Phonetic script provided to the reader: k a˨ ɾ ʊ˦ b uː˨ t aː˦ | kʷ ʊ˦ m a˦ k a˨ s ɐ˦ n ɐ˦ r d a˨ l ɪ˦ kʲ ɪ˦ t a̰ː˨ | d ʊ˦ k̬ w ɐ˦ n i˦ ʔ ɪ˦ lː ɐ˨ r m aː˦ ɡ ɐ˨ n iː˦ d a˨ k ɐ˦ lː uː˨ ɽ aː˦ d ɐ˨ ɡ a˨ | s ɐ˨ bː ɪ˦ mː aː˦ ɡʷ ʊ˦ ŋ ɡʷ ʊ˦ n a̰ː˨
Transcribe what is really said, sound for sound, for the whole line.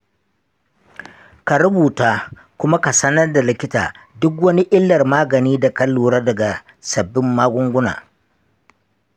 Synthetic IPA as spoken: k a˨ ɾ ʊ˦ b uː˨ t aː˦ | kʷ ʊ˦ m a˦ k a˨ s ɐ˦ n ɐ˦ r d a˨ l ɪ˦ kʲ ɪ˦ t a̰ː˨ | d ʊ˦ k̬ w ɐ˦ n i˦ ʔ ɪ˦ lː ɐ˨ r m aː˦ ɡ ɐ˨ n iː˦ d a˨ k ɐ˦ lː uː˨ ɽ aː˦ d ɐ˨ ɡ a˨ | s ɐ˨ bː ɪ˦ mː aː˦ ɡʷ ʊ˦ ŋ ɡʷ ʊ˦ n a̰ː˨

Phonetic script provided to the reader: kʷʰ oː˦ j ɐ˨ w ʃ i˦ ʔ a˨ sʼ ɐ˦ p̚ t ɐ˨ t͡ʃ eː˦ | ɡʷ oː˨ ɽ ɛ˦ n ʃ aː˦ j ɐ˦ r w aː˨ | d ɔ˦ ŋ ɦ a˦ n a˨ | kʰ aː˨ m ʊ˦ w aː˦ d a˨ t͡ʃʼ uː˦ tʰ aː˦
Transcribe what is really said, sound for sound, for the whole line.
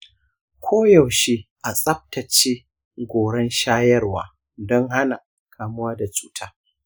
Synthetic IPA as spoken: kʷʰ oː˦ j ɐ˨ w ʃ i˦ ʔ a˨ sʼ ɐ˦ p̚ t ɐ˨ t͡ʃ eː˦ | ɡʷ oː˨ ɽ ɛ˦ n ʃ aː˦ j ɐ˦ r w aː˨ | d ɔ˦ ŋ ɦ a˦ n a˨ | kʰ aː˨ m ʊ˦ w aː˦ d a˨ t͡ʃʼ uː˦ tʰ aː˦

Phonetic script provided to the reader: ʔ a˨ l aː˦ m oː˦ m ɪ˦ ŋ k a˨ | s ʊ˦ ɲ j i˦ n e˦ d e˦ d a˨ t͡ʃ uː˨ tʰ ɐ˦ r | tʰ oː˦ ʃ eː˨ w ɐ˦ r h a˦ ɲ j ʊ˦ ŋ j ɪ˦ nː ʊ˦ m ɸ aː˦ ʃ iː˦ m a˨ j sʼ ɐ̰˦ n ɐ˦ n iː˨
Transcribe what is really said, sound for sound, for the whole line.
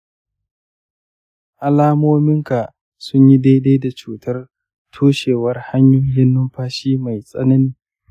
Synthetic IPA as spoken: ʔ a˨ l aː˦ m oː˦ m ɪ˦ ŋ k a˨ | s ʊ˦ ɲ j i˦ d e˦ d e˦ d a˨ t͡ʃ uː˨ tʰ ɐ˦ r | tʰ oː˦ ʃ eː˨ w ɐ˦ r h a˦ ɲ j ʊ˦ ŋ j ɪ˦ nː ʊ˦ m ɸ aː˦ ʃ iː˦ m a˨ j sʼ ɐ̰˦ n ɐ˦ n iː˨

